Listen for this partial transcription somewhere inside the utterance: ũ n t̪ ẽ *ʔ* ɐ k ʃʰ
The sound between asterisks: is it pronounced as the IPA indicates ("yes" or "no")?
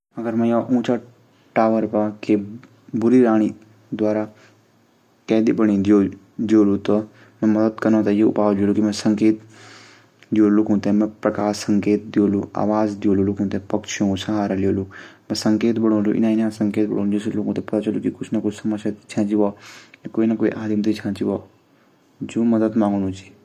no